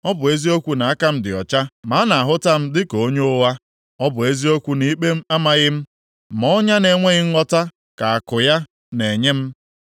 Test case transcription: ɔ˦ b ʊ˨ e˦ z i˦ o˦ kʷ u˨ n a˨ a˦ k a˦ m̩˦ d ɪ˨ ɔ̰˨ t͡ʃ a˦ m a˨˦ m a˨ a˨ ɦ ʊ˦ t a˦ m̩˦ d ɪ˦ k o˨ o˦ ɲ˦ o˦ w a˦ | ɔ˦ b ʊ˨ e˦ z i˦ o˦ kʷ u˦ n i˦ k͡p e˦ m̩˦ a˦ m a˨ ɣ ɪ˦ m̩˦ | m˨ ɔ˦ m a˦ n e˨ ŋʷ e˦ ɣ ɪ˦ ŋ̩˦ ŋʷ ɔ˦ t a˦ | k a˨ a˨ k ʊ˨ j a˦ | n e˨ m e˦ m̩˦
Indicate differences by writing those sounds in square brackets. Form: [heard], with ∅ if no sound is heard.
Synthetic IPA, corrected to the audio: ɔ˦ b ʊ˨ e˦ z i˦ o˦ kʷ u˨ n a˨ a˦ k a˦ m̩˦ d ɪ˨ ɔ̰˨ t͡ʃ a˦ m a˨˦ [n] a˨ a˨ ɦ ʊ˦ t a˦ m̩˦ d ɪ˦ k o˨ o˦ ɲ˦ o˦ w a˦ | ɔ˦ b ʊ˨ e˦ z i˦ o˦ kʷ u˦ n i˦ k͡p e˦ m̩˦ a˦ m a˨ ɣ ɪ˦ m̩˦ | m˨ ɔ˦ [ɲ] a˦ n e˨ ŋʷ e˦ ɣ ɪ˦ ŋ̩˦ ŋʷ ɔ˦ t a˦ | k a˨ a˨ k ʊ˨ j a˦ | n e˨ [ɲ] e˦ m̩˦